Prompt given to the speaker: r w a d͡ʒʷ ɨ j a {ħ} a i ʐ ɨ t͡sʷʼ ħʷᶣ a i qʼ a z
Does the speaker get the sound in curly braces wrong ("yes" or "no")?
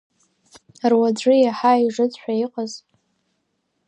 no